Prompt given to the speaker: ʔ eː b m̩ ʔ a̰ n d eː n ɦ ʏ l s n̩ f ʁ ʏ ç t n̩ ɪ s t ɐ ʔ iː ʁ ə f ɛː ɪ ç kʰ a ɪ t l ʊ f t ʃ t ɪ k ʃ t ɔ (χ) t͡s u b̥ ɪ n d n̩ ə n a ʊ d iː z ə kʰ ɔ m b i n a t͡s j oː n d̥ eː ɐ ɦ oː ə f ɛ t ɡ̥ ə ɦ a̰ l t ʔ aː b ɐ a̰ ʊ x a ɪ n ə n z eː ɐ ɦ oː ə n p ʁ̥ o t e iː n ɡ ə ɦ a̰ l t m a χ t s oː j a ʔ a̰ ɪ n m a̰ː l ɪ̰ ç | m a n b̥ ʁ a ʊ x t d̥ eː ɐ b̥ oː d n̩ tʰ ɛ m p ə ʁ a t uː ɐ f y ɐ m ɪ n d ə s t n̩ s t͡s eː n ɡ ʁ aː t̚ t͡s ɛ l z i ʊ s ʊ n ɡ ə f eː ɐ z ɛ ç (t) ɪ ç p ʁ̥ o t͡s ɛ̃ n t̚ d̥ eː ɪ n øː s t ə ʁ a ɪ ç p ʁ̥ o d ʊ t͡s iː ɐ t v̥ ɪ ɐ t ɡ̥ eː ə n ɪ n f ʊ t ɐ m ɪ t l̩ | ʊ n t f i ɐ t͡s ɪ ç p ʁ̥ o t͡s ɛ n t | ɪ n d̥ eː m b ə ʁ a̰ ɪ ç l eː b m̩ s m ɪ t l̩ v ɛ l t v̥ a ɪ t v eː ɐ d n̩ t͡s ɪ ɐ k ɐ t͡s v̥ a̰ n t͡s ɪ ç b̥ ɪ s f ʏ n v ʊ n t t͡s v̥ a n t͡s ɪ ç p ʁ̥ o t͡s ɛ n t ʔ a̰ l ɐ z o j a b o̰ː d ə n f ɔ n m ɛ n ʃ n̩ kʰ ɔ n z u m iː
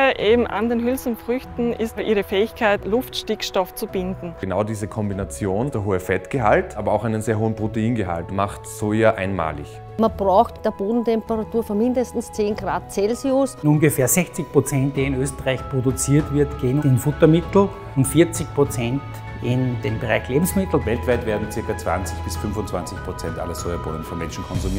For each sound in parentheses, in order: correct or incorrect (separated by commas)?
incorrect, incorrect